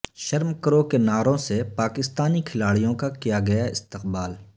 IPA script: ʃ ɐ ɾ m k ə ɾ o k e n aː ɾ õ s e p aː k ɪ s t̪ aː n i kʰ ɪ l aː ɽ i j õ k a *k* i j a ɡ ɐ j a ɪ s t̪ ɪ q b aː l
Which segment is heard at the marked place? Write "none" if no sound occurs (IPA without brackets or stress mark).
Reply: k